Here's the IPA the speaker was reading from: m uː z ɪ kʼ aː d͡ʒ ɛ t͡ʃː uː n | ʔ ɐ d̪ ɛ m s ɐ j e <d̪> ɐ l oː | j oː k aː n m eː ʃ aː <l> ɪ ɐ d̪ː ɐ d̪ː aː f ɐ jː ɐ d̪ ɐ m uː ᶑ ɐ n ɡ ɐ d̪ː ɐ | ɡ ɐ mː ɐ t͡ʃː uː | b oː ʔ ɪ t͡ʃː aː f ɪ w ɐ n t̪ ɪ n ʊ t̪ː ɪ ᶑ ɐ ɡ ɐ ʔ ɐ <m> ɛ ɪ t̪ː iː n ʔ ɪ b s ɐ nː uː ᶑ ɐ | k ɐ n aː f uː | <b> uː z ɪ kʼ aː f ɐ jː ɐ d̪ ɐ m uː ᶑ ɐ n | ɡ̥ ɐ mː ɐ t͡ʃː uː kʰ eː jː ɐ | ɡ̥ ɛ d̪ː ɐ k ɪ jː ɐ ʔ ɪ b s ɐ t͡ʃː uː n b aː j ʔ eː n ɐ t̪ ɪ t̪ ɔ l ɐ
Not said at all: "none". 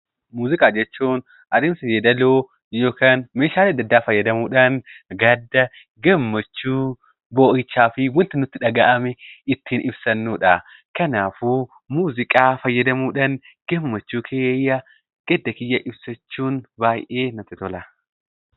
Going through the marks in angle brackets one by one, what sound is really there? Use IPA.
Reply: d̪, l, m, m

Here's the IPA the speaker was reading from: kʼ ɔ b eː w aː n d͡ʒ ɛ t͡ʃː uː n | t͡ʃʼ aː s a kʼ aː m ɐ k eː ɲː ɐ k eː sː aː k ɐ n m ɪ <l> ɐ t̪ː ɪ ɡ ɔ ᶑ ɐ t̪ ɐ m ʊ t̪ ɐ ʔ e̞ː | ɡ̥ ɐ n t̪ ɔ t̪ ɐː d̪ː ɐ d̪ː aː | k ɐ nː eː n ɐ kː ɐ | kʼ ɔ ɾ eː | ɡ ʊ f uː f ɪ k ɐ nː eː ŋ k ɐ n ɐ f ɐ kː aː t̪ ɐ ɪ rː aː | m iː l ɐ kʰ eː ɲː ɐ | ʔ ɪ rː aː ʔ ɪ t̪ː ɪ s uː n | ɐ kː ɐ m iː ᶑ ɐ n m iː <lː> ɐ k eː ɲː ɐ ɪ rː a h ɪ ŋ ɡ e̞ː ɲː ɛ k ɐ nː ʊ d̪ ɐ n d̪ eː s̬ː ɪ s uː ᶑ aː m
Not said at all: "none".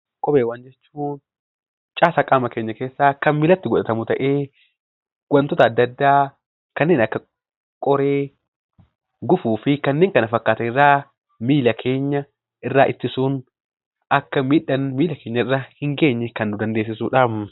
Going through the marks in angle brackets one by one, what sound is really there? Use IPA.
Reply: l, l

